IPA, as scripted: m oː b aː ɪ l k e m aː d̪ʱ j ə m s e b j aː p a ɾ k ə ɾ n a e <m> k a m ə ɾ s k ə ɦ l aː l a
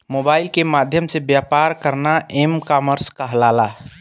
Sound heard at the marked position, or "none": m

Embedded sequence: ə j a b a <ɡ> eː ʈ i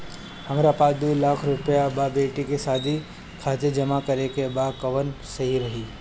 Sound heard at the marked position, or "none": b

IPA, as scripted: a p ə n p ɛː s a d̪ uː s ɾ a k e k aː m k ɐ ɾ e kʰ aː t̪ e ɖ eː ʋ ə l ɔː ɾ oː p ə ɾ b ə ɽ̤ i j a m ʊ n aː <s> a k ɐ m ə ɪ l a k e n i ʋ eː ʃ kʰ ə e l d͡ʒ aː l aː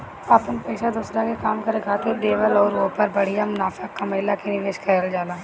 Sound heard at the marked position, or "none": f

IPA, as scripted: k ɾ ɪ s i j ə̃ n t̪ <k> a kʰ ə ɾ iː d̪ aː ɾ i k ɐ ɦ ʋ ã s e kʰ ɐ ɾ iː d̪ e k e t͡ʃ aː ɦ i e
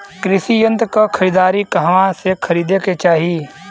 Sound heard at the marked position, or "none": k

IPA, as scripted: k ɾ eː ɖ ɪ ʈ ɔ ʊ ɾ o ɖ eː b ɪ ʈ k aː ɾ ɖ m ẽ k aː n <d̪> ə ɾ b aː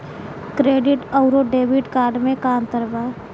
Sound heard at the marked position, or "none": t̪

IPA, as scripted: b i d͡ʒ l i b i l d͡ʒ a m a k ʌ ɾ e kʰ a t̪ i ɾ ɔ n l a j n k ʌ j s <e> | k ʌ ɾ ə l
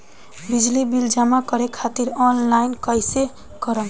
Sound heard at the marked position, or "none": e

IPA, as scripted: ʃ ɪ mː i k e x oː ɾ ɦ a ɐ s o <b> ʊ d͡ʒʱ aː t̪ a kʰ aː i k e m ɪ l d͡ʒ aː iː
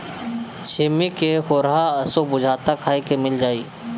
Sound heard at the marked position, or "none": b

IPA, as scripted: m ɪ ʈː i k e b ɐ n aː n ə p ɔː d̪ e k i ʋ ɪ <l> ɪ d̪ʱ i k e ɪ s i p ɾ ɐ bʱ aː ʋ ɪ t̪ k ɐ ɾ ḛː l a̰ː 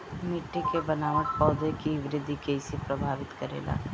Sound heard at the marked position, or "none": ɾ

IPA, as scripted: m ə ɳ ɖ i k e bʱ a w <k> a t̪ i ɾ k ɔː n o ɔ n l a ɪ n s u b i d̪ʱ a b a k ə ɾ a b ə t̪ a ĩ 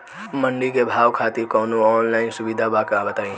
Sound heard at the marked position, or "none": kʰ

